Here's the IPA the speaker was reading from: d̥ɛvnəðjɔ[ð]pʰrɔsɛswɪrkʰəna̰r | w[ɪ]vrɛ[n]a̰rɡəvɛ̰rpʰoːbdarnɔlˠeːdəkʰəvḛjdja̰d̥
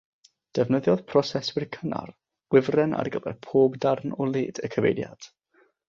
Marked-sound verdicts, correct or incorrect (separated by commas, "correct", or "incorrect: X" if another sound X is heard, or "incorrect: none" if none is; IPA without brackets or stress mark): correct, correct, correct